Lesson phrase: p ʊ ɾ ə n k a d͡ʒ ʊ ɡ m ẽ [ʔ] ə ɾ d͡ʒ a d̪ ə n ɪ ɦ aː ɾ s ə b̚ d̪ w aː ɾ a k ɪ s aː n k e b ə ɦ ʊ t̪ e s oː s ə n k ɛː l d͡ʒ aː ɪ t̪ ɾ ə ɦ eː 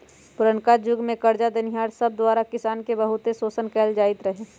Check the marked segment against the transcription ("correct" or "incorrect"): incorrect